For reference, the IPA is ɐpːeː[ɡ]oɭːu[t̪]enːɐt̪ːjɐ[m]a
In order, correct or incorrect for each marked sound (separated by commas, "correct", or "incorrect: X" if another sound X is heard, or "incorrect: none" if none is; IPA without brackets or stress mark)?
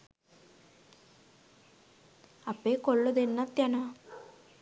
incorrect: k, incorrect: d̪, incorrect: n